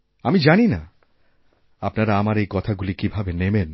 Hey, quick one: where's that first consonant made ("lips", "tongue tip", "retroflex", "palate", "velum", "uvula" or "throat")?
lips